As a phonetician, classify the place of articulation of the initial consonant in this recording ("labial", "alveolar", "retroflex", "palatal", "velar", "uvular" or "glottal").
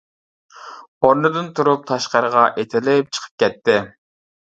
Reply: alveolar